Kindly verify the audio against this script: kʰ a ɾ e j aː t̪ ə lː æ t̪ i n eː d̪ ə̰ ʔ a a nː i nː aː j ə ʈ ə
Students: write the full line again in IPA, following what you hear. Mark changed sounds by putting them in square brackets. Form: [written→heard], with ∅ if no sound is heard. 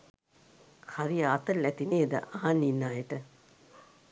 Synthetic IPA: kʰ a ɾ [e→i] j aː t̪ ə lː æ t̪ i n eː d̪ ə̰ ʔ a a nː i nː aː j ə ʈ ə